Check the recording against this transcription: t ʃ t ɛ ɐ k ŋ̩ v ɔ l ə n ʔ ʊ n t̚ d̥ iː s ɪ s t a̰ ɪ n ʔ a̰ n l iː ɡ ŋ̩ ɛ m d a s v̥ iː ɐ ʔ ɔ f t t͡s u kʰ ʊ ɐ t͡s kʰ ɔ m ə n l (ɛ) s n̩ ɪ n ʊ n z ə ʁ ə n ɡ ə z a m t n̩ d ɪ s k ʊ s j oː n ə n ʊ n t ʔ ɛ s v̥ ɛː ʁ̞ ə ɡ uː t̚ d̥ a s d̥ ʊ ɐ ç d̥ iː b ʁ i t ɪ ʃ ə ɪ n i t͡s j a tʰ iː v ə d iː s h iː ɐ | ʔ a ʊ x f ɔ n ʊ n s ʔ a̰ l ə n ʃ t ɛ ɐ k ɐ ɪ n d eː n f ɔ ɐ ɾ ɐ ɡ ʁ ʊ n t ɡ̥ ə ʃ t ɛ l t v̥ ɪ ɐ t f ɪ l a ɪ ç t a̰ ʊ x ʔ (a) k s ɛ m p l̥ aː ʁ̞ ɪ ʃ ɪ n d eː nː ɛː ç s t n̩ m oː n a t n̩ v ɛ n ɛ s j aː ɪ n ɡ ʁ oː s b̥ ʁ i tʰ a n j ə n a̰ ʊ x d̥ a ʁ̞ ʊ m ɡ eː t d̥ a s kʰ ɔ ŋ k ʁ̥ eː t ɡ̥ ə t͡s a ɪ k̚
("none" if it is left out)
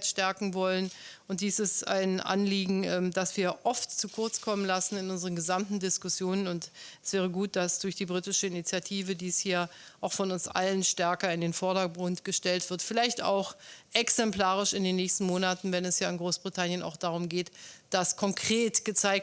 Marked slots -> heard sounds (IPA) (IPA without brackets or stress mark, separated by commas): a, ɛ